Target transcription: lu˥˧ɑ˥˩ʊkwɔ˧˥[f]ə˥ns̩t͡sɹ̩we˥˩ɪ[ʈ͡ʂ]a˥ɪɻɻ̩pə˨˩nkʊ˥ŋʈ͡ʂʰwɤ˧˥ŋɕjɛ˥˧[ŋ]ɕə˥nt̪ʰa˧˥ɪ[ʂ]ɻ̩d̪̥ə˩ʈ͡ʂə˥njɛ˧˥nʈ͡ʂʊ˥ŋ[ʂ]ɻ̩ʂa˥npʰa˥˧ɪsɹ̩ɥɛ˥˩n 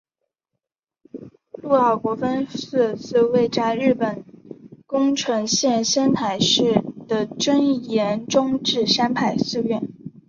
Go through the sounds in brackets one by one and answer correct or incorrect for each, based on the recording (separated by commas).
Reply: correct, correct, incorrect, correct, incorrect